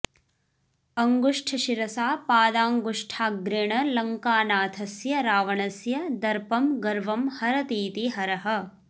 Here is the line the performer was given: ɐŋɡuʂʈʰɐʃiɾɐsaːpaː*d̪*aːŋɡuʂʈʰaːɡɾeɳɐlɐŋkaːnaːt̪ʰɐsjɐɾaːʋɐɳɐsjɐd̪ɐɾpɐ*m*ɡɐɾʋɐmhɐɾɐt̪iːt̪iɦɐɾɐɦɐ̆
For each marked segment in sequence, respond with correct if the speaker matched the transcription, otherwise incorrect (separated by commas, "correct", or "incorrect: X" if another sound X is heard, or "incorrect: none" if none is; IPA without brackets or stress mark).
correct, correct